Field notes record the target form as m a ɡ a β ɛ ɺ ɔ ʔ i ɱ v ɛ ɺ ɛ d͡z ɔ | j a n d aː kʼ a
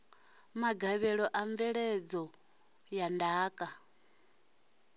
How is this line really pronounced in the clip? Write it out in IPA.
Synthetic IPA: m a ɡ a β ɛ ɺ ɔ ʔ a ɱ v ɛ ɺ ɛ d͡z ɔ | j a n d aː kʼ a

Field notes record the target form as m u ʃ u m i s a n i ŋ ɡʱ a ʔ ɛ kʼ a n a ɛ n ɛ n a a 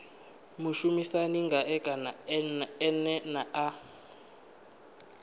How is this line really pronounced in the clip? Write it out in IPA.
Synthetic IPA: m u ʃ u m i s a n i ŋ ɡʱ a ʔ ɛ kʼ a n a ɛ n ɛ n a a

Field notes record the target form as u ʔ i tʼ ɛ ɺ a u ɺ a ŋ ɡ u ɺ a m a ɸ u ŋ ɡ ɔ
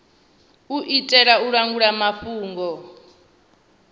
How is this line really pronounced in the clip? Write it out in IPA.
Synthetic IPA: u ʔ i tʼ ɛ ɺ a u ɺ a ŋ ɡ u ɺ a m a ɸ uː ŋ ɡ ɔ

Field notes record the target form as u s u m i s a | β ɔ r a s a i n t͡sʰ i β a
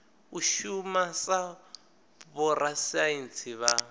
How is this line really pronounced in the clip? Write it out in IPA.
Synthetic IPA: u ʃ u m a s a | β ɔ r a s a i n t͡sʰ i β a

